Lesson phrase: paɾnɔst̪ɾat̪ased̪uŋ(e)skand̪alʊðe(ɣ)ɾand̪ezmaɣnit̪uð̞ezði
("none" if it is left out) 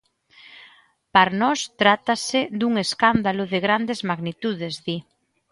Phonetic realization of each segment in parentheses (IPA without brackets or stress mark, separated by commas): e, ɣ